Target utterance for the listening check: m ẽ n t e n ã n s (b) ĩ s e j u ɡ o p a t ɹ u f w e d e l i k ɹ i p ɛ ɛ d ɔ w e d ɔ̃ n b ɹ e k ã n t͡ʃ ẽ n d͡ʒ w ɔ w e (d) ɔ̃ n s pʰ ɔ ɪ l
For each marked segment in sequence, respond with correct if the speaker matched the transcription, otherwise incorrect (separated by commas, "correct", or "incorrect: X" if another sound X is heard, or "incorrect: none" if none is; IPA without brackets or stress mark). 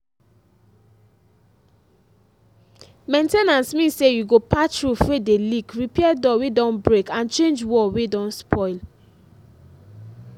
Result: incorrect: m, correct